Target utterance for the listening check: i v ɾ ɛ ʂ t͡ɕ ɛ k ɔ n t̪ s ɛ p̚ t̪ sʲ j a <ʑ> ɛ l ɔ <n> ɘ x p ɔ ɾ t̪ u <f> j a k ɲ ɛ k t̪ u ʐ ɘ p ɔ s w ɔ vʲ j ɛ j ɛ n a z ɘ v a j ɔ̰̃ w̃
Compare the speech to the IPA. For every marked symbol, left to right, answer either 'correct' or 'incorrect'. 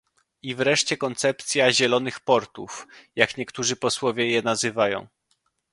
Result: correct, correct, correct

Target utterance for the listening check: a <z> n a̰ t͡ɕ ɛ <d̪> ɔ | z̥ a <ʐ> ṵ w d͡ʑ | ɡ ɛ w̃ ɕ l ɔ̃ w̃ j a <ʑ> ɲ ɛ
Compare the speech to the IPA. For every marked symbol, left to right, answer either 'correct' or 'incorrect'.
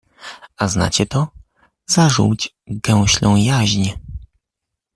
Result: correct, incorrect, correct, correct

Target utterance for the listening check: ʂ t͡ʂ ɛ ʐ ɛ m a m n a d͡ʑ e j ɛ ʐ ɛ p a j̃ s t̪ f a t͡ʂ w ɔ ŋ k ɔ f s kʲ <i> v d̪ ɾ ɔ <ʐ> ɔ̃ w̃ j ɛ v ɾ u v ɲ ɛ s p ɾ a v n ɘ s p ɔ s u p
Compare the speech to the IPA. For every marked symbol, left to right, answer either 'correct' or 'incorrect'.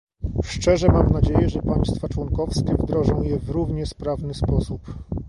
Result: incorrect, correct

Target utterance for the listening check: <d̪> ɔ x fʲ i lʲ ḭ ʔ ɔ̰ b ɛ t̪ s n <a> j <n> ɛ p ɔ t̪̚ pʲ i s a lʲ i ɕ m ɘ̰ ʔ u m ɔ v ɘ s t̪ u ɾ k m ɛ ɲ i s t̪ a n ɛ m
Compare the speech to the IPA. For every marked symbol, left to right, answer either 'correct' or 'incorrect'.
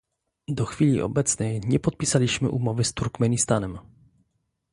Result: correct, incorrect, incorrect

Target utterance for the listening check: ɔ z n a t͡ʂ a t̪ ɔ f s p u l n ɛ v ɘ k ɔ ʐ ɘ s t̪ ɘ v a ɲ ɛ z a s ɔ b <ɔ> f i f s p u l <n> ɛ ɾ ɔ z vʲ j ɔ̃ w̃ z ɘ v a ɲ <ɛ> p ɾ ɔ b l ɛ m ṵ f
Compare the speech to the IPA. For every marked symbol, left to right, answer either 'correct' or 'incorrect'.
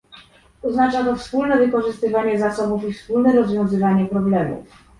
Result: incorrect, correct, correct

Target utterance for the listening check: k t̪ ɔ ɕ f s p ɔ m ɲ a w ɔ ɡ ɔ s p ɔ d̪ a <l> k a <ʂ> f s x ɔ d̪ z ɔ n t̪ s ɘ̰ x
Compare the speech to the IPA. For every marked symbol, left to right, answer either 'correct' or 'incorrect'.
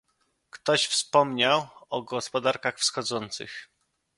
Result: incorrect, incorrect

